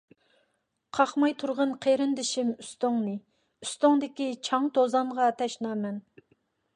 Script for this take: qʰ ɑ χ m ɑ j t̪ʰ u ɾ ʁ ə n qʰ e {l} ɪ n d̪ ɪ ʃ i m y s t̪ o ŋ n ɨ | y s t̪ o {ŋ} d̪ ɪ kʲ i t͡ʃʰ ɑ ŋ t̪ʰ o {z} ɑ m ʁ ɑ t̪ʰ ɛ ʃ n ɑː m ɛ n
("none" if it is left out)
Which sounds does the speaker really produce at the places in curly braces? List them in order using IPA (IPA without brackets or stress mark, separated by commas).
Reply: ɾ, ŋ, z